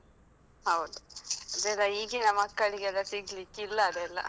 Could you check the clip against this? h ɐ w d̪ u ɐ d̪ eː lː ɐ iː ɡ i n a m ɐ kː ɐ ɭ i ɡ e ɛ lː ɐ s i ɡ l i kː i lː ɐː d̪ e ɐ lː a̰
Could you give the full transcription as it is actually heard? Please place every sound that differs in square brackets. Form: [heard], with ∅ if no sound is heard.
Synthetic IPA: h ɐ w d̪ u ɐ d̪ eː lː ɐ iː ɡ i n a m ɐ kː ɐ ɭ i ɡ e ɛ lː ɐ s i ɡ l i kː i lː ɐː d̪ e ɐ lː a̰